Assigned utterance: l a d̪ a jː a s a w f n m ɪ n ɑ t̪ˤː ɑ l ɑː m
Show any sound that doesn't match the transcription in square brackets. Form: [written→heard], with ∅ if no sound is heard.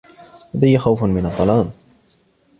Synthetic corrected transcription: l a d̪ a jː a [s→x] a w f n m ɪ n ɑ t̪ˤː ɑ l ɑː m